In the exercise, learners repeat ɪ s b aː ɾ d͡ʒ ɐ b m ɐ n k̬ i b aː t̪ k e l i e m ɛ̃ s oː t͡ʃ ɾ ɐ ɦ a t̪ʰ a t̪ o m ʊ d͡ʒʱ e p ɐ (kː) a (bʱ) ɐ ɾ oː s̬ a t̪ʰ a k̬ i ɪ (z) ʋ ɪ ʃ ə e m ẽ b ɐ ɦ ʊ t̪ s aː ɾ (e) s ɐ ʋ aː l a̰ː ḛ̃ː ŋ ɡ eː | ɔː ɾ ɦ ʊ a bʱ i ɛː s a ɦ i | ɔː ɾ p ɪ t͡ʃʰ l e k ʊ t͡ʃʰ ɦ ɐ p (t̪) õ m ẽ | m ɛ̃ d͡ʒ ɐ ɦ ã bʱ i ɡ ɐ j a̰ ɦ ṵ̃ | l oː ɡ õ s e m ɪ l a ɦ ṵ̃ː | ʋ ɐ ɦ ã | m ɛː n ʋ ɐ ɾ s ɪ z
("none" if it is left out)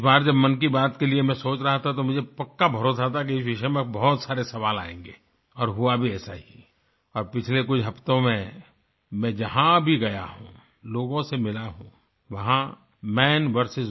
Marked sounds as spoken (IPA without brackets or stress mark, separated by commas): kː, bʱ, s, e, t̪